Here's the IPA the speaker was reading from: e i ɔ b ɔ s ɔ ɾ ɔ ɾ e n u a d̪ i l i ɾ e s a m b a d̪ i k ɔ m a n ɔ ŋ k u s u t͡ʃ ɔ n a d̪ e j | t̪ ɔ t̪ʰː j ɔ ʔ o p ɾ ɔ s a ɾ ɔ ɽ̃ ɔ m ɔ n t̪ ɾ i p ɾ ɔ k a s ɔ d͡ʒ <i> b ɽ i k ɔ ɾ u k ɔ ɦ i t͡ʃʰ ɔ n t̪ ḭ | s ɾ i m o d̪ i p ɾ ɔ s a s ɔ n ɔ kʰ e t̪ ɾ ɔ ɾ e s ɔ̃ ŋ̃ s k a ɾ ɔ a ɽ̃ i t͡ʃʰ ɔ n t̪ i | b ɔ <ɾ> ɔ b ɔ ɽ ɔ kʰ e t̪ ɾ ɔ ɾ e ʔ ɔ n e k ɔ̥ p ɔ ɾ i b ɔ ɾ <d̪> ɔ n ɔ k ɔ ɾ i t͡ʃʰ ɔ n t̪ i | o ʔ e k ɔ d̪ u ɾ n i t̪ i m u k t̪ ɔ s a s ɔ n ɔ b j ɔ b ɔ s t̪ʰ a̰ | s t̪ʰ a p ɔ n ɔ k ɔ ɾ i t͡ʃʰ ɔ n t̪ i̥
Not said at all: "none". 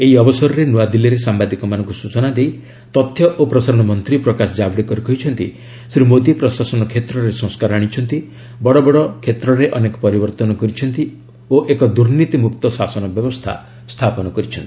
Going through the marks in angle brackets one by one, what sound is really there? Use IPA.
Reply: a, ɽ, t̪

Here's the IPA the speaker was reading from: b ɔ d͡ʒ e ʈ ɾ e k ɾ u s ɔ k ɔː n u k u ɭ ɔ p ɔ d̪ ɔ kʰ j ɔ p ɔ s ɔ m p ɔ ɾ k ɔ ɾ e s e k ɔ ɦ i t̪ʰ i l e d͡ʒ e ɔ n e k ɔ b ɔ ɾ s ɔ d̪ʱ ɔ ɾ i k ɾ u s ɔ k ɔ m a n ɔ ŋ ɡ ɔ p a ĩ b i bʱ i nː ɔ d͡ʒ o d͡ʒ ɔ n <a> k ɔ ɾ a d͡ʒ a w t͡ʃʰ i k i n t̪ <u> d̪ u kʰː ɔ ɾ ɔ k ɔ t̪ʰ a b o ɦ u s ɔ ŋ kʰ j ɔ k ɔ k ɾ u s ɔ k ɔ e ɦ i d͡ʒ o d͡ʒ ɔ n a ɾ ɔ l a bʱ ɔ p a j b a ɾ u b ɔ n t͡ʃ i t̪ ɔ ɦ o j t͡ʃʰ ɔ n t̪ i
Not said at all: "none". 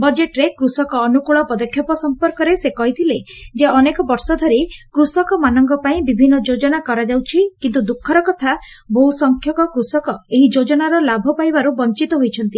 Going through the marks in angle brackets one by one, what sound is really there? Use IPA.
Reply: a, u

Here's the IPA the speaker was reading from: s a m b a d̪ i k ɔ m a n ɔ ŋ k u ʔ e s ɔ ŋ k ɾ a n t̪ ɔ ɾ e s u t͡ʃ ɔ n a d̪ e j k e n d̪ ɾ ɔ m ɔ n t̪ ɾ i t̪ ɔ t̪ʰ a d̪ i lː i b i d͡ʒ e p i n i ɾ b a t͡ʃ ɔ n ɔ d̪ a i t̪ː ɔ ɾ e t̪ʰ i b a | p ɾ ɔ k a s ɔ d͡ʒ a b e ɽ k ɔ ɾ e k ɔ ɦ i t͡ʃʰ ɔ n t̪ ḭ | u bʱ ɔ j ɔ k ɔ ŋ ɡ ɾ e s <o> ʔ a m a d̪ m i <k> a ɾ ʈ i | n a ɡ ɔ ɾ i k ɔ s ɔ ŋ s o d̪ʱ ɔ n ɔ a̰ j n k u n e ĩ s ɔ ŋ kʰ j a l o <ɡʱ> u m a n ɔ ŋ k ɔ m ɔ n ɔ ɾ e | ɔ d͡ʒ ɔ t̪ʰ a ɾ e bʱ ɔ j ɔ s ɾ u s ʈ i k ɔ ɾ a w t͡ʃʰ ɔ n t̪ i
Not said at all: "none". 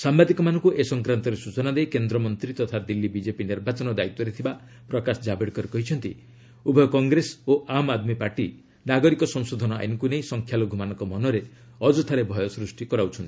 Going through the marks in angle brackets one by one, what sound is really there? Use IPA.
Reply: o, p, ɡʱ

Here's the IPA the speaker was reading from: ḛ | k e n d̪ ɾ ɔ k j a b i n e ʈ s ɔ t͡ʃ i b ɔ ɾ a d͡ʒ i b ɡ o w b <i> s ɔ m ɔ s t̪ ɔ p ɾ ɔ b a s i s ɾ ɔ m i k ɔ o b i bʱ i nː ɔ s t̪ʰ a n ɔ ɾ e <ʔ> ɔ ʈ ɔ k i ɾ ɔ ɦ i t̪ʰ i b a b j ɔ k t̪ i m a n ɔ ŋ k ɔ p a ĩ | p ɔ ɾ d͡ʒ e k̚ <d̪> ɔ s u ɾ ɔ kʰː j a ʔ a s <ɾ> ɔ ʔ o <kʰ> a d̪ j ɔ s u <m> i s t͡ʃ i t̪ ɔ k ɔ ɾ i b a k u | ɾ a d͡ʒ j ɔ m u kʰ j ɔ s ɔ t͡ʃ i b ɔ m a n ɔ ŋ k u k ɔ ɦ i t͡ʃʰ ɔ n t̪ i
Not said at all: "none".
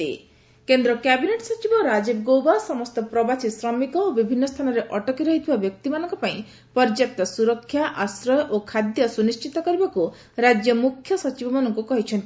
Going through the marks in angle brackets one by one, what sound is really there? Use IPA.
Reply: a, ʔ, t̪, ɾ, kʰ, n

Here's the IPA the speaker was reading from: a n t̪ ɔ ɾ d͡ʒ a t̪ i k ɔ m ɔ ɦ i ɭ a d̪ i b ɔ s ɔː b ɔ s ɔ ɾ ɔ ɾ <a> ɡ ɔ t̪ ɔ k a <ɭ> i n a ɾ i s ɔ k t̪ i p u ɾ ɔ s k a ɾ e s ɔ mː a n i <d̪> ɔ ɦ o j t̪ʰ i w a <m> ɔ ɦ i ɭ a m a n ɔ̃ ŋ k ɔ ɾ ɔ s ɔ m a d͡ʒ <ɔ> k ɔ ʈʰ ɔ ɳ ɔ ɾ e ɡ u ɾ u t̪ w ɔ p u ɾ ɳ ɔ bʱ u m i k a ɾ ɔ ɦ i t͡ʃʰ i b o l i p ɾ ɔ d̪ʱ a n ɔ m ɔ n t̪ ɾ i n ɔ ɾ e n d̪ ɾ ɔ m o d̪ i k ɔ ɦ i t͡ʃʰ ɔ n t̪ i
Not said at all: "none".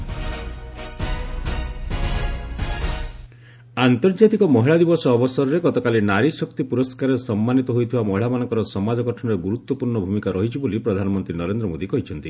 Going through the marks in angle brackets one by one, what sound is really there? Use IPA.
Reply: e, l, t̪, m, ɔ

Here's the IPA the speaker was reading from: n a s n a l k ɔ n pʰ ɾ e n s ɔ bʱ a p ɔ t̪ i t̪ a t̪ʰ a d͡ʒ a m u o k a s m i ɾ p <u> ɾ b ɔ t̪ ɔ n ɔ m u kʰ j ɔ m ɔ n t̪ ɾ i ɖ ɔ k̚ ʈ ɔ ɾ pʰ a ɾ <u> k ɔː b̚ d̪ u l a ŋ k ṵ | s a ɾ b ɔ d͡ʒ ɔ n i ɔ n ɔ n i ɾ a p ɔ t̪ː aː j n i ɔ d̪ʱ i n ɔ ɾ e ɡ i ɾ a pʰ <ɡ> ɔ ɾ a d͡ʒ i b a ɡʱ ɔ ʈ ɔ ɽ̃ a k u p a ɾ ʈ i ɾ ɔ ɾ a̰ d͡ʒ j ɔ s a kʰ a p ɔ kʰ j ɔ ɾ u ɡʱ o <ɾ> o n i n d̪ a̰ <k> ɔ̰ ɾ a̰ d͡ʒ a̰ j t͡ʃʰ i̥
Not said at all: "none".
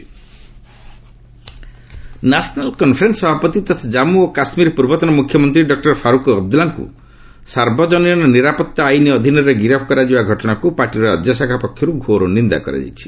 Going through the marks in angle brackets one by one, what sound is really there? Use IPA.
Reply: u, u, k, ɾ, k

